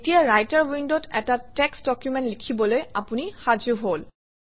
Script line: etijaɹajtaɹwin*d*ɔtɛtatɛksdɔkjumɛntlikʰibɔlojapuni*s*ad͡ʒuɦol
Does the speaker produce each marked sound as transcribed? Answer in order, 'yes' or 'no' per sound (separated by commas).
yes, no